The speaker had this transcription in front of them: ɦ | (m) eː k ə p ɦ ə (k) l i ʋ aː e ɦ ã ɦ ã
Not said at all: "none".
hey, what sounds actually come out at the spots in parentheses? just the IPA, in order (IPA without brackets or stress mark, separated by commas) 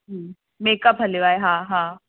m, none